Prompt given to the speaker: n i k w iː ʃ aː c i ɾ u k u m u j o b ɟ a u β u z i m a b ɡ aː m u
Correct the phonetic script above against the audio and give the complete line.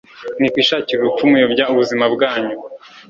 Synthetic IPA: n i k w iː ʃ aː c i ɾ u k u m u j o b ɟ a u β u z i m a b ɡ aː ɲ u